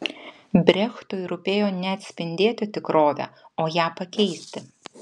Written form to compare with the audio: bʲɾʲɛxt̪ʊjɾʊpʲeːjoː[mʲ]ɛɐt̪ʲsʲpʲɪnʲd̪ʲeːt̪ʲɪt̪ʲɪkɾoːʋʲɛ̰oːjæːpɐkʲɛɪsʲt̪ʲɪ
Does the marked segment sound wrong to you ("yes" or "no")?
yes